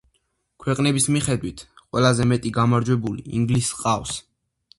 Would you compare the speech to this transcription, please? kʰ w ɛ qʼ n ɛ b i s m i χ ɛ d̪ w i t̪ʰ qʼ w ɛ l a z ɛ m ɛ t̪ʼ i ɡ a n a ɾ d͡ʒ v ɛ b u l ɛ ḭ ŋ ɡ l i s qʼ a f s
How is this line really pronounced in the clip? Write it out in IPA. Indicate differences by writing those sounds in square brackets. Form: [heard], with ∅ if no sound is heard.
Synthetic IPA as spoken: kʰ w ɛ qʼ n ɛ b i s m i χ ɛ d̪ w i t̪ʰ qʼ w ɛ l a z ɛ m ɛ t̪ʼ i ɡ a [m] a ɾ d͡ʒ [w] ɛ b u l [i] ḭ ŋ ɡ l i s qʼ a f s